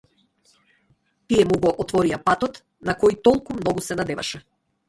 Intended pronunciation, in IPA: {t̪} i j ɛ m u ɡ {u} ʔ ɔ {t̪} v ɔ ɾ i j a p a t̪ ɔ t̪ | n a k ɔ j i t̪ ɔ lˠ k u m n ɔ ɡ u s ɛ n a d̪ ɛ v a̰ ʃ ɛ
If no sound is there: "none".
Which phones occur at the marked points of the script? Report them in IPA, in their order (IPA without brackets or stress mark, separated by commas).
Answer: t̪, ɔ, t̪